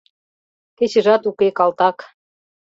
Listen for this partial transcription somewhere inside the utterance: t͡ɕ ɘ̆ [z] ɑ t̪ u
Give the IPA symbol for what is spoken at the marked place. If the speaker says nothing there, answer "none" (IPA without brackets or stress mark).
ʒ